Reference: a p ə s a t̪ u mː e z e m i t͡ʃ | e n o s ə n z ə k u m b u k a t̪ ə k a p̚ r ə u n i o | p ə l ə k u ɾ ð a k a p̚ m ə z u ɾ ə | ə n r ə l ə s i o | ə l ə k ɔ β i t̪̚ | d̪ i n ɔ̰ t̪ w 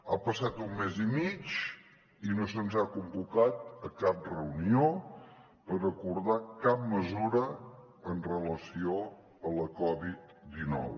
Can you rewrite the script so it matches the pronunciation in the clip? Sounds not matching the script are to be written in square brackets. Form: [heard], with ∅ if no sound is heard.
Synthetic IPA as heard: a p ə s a t̪ u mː e z [i] m i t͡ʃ | [i] n o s ə n z [a] k u m b u k a t̪ ə k a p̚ r ə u n i o | p ə [ɾ] ə k u ɾ ð a k a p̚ m ə z u ɾ ə | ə n r ə l ə s i o | ə l ə k ɔ β i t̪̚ | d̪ i n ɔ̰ [∅] w